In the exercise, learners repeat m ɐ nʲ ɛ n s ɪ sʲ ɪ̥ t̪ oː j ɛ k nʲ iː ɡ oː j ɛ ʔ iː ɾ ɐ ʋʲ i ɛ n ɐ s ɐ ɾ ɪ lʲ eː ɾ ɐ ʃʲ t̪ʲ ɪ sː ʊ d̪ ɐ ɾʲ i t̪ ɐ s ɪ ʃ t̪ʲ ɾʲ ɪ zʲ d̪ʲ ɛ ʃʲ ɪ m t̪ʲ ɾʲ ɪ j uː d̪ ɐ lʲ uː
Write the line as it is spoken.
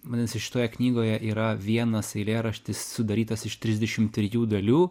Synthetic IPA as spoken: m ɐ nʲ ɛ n s ɪ ʃʲ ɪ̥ t̪ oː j ɛ k nʲ iː ɡ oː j ɛ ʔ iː ɾ ɐ ʋʲ i ɛ n ɐ s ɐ ɪ lʲ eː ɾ ɐ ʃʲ t̪ʲ ɪ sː ʊ d̪ ɐ ɾʲ iː t̪ ɐ s ɪ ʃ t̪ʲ ɾʲ ɪ zʲ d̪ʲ ɛ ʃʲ ɪ m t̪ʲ ɾʲ ɪ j uː d̪ ɐ lʲ uː